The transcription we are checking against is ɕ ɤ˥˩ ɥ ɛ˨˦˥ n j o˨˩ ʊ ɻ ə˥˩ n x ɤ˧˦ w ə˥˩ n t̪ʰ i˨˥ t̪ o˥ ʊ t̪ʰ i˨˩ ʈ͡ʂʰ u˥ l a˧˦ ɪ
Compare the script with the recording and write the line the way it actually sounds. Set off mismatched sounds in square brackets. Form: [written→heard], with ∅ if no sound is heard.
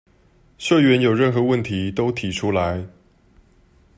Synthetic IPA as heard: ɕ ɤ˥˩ ɥ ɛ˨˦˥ n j o˨˩ ʊ ɻ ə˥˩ n x ɤ˧˦ w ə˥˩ n t̪ʰ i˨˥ t̪ o˥ ʊ t̪ʰ i˨˩ ʈ͡ʂʰ u˥ l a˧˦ ɪ